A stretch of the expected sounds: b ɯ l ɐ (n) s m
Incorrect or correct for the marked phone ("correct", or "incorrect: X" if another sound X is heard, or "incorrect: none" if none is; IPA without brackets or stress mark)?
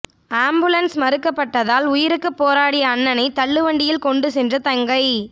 correct